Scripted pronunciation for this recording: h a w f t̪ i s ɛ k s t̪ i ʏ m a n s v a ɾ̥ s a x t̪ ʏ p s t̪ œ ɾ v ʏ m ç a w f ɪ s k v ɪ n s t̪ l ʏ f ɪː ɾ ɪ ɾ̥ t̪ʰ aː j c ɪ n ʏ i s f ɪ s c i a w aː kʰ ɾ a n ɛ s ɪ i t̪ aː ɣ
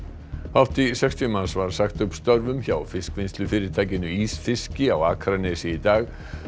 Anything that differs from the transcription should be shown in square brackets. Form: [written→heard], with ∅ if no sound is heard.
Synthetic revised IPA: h a w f t̪ i s ɛ k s t̪ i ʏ m a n s v a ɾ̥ s a x t̪ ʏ p s t̪ œ ɾ v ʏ m ç a w f ɪ s k v ɪ n s t̪ l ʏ f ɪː ɾ ɪ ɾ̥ t̪ʰ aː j c ɪ n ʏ i s f ɪ s c [i→ɪ] a w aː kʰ ɾ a n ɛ s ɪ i t̪ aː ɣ